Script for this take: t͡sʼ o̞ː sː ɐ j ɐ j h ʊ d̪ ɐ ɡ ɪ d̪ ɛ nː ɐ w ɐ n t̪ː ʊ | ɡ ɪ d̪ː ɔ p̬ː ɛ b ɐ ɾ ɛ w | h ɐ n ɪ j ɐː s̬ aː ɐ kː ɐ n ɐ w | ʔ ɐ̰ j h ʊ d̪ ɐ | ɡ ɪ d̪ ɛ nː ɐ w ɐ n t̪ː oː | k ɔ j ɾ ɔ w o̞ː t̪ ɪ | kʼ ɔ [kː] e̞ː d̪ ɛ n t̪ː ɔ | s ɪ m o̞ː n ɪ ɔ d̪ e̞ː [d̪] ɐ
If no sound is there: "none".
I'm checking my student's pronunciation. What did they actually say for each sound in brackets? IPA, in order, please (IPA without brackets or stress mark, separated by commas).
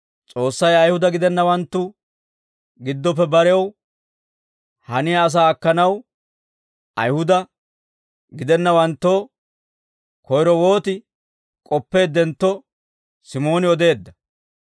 pː, d̪ː